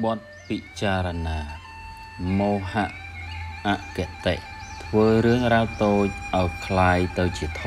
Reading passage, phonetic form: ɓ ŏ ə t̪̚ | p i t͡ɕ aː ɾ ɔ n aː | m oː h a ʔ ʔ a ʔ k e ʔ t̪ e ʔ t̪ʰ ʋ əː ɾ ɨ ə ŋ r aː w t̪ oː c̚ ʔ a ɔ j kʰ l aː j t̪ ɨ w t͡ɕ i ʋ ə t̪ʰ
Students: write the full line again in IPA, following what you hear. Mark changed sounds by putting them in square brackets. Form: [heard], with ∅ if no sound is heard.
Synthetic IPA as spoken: ɓ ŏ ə t̪̚ | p i t͡ɕ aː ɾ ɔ n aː | m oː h a ʔ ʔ a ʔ k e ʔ t̪ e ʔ t̪ʰ ʋ əː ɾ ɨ ə ŋ r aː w t̪ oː c̚ ʔ a ɔ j kʰ l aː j t̪ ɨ w t͡ɕ i [∅] ə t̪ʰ